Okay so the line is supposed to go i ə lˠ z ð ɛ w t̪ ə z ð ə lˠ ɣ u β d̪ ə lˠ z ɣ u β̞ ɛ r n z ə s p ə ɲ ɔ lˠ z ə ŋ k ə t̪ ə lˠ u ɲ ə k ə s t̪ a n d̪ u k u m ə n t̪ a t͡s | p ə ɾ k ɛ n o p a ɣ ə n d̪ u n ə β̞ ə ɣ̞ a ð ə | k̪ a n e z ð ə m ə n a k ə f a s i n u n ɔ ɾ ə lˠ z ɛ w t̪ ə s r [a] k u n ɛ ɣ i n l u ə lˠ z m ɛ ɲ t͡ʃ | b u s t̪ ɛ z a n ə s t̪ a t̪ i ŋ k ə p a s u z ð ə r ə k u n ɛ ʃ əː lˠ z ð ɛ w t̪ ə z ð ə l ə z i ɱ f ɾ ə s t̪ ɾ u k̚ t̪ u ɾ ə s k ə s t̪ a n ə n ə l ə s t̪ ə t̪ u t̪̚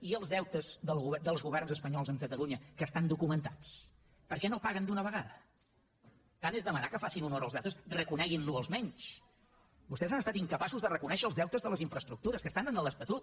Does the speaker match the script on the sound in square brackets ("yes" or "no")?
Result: no